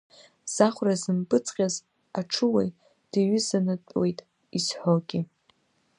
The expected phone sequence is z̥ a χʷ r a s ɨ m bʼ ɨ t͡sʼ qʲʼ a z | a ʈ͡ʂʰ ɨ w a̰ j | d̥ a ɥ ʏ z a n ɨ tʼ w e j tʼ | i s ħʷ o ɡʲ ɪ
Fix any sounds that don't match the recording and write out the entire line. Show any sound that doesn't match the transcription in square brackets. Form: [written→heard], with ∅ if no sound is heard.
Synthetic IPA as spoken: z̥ a χʷ r a [s→z] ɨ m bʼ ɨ t͡sʼ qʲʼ a z | a ʈ͡ʂʰ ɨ w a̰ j | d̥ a ɥ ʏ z a n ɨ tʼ w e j tʼ | i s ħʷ o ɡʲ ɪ